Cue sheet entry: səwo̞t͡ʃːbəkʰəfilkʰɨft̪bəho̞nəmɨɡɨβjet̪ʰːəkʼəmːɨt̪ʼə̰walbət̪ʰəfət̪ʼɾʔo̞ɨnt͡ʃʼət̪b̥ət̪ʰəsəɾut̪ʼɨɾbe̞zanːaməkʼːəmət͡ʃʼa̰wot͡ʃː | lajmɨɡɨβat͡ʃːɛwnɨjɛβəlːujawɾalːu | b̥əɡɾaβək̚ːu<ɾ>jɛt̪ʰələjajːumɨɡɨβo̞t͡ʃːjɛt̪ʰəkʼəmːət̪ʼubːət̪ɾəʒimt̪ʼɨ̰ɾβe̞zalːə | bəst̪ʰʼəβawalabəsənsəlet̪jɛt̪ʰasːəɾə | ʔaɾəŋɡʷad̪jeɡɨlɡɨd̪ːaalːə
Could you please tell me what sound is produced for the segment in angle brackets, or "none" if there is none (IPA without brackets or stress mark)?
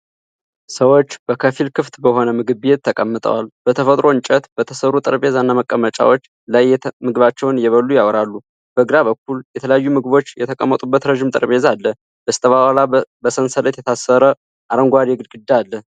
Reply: l